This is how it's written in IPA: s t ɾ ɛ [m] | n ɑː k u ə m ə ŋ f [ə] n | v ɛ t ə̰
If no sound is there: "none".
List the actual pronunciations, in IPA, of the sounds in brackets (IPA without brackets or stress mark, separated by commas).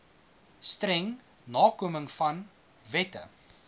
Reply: ŋ, ɐ